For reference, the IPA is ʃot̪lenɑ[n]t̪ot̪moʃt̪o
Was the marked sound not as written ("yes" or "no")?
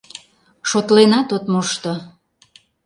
yes